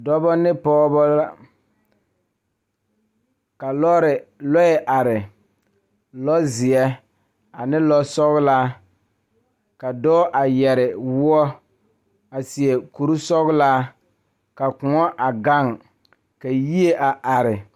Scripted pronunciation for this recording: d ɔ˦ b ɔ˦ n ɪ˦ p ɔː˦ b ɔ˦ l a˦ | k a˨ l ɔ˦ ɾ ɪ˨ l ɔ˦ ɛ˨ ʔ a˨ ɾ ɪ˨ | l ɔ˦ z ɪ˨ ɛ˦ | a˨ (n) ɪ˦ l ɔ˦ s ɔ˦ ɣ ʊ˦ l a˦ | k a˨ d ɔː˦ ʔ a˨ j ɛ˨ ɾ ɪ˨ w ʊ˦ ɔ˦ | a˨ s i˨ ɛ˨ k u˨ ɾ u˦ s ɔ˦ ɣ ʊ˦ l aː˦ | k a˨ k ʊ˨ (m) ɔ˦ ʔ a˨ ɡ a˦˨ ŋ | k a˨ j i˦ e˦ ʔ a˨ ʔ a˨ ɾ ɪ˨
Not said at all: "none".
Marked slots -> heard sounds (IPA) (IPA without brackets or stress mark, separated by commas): n, ŋ